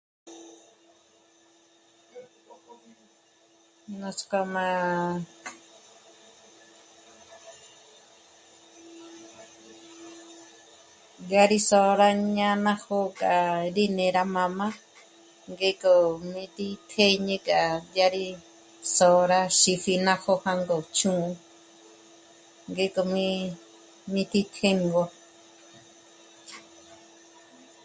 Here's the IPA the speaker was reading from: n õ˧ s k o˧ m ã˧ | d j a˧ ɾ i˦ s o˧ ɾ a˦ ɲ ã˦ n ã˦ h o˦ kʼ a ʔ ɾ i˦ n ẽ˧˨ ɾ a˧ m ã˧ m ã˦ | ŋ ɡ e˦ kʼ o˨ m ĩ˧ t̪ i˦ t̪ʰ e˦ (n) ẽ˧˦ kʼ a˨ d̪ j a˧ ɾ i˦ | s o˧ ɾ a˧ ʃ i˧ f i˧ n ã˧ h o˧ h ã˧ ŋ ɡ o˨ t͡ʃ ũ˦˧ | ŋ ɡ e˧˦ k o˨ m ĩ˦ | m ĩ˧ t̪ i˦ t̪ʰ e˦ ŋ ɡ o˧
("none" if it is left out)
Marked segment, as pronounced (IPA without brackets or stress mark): ɲ